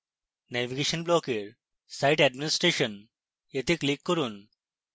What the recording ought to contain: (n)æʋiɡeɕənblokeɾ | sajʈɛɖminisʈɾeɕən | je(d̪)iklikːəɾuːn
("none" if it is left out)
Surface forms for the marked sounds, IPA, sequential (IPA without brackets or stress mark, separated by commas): n, t̪